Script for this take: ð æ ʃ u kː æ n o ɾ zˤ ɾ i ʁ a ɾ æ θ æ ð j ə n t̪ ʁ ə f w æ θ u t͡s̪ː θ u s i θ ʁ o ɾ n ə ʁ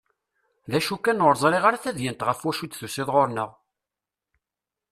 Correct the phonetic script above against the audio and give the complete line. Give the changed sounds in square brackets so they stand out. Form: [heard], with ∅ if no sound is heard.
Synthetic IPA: ð æ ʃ u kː æ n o ɾ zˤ ɾ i ʁ a ɾ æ θ æ ð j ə n t̪ ʁ ə f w æ [ʃ] u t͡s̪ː θ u s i [ð] ʁ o ɾ n ə ʁ